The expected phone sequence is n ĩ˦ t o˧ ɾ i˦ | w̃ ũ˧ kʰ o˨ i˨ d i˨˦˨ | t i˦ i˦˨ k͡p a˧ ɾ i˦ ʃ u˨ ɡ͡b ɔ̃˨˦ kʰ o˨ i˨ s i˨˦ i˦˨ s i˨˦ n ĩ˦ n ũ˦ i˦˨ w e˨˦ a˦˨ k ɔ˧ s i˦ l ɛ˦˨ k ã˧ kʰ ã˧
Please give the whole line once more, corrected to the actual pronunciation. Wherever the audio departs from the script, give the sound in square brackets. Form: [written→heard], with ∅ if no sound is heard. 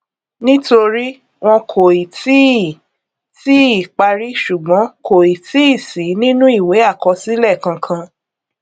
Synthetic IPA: n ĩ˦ t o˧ ɾ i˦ | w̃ [ũ˧→ɔ̃˧] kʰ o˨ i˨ [d→t] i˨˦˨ | t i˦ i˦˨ k͡p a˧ ɾ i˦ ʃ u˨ ɡ͡b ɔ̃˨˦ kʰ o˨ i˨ [s→t] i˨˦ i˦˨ s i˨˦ n ĩ˦ n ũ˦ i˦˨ w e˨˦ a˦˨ k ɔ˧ s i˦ l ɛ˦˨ k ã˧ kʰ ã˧